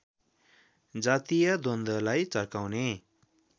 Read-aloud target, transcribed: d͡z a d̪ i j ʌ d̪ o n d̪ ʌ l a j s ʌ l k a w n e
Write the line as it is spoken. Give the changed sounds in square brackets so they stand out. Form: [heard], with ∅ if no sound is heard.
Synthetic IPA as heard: d͡z a [t̪] i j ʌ d̪ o n d̪ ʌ l a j [t͡s] ʌ [r] k a w n e

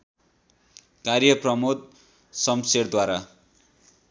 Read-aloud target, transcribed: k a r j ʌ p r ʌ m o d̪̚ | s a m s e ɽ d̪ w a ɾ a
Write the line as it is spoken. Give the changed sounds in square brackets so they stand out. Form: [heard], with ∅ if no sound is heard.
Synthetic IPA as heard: k a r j ʌ p r ʌ m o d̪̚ | s [ʌ] m s e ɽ d̪ w a ɾ a

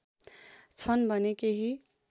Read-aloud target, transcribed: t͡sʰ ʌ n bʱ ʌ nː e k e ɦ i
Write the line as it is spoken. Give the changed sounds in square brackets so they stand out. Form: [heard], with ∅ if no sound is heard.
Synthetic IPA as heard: t͡sʰ ʌ n bʱ ʌ [n] e k e ɦ i

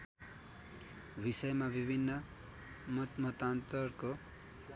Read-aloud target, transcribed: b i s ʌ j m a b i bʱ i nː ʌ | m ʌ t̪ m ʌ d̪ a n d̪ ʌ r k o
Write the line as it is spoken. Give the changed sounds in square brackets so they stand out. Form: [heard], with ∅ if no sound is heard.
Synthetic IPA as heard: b i s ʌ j m a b i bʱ i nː ʌ | m ʌ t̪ m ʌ [t̪] a n [t̪] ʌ r k o

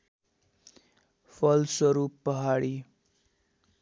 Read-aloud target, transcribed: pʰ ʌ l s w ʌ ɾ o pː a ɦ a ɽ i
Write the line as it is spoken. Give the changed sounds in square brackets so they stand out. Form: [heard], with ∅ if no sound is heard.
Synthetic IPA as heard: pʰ ʌ l s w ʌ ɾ [u] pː [ʌ] ɦ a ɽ i

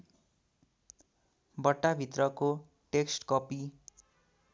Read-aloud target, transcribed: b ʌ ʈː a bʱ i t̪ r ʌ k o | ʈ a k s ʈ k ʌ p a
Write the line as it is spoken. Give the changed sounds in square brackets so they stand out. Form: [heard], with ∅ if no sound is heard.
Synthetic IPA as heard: b ʌ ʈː a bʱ i t̪ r ʌ k o | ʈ [e] k s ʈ k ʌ p [i]

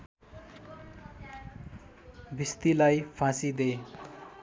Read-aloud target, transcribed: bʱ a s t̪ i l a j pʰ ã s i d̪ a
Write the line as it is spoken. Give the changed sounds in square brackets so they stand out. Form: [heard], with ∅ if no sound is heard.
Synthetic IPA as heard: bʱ [i] s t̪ i l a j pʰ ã s i d̪ [e]

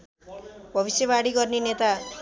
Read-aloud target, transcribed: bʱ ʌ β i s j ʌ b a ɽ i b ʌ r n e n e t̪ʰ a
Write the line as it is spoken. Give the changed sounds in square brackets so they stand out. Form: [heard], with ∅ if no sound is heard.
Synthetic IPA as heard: bʱ ʌ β i s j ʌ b a ɽ i [ɡ] ʌ r n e n e [t̪] a

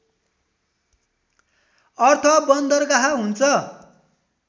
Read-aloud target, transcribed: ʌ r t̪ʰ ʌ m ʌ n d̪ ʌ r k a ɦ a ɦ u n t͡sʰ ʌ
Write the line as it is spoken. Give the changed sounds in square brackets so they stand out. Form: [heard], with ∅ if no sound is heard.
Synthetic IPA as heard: ʌ r t̪ʰ ʌ [b] ʌ n d̪ ʌ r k a ɦ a ɦ u n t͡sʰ ʌ

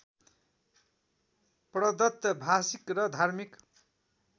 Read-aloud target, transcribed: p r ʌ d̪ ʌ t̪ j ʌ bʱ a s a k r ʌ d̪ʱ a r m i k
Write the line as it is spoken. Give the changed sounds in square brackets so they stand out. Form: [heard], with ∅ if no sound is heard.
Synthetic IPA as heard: p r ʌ d̪ ʌ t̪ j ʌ bʱ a s [i] k r ʌ d̪ʱ a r m i k

